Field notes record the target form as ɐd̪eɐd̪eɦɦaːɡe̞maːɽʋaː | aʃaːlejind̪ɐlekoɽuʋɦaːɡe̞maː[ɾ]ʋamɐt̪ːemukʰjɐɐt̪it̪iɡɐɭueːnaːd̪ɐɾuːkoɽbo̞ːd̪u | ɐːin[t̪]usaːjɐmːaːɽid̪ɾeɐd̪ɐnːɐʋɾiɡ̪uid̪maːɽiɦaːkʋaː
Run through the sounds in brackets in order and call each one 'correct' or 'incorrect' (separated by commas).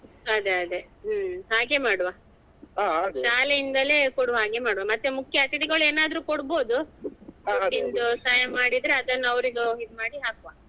incorrect, incorrect